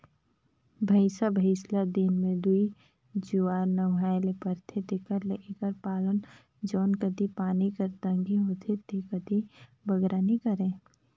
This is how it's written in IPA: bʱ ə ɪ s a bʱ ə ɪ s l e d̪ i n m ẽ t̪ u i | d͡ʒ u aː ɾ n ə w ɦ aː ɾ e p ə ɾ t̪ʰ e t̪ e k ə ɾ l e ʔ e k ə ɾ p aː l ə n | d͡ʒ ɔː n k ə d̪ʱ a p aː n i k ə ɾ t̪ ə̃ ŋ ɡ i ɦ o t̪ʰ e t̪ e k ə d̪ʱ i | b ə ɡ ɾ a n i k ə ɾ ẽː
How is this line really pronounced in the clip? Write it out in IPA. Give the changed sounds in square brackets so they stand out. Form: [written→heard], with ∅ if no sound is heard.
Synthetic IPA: bʱ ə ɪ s a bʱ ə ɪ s l [e→a] d̪ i n m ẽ [t̪→d̪] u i | d͡ʒ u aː ɾ n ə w ɦ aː [ɾ→l] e p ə ɾ t̪ʰ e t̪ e k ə ɾ l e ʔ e k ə ɾ p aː l ə n | d͡ʒ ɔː n k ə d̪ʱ [a→i] p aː n i k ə ɾ t̪ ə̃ ŋ ɡ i ɦ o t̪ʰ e t̪ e k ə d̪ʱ i | b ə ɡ ɾ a n i k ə ɾ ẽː